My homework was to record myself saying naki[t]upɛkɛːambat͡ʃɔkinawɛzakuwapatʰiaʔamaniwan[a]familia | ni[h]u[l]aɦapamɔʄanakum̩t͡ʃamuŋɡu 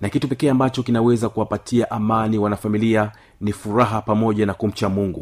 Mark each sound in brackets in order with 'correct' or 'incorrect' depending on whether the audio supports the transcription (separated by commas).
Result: correct, correct, incorrect, incorrect